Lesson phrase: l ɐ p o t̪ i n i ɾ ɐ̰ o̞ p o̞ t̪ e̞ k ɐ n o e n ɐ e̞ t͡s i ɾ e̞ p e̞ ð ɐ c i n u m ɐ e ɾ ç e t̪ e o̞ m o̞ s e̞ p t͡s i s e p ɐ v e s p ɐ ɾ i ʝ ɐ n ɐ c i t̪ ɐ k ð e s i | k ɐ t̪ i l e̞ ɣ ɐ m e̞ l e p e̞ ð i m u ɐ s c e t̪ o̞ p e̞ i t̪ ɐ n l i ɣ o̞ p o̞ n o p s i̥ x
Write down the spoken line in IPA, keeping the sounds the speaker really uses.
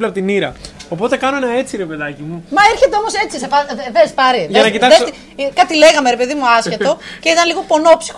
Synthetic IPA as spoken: l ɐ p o t̪ i n i ɾ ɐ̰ o̞ p o̞ t̪ e̞ k ɐ n o e n ɐ e̞ t͡s i ɾ e̞ p e̞ ð ɐ c i m u m ɐ e ɾ ç e t̪ e o̞ m o̞ s e̞ t͡s i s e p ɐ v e s p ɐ ɾ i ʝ ɐ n ɐ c i t̪ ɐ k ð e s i | k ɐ t̪ i l e̞ ɣ ɐ m e̞ ɾ e p e̞ ð i m u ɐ s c e t̪ o̞ c e̞ i t̪ ɐ n l i ɣ o̞ p o̞ n o p s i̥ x